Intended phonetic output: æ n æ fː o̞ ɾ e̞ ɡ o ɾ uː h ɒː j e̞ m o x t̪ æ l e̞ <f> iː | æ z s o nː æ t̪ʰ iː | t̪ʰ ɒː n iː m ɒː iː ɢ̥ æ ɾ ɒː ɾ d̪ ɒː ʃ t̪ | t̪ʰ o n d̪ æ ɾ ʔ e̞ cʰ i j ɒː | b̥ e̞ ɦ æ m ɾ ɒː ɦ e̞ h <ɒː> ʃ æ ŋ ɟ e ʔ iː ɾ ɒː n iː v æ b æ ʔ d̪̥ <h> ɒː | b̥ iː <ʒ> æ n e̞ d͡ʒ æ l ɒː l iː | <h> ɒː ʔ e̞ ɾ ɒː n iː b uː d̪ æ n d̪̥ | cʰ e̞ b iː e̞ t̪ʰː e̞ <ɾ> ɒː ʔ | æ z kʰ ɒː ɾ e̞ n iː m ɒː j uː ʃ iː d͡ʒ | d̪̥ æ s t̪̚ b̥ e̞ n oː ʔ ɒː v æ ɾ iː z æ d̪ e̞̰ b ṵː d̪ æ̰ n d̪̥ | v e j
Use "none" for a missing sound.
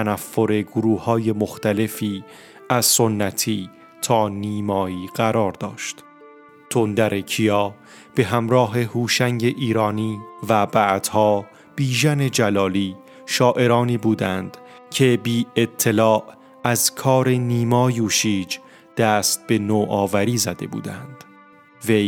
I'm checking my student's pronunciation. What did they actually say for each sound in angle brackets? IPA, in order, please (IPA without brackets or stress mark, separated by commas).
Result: f, uː, h, ʒ, ʃ, l